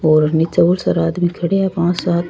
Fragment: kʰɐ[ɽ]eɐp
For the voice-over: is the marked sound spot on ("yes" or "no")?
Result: yes